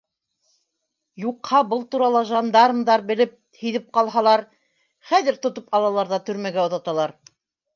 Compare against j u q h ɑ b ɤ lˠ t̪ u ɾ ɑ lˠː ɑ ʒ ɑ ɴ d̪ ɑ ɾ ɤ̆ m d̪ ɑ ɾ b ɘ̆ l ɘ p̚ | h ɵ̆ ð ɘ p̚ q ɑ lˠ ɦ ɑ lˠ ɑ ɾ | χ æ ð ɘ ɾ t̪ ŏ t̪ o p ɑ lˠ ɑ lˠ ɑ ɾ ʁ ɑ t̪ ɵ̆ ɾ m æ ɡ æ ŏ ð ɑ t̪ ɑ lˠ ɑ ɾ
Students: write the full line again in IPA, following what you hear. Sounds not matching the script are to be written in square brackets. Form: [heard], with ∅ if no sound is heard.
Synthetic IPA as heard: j u q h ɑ b ɤ lˠ t̪ u ɾ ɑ [lˠ] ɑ ʒ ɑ [n] d̪ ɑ ɾ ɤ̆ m d̪ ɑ ɾ b ɘ̆ l ɘ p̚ | h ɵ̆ ð ɘ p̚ q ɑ lˠ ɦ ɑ lˠ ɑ ɾ | χ æ ð ɘ ɾ t̪ ŏ t̪ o p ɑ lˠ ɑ lˠ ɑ ɾ [ð] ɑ t̪ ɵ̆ ɾ m æ ɡ æ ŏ ð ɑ t̪ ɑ lˠ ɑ ɾ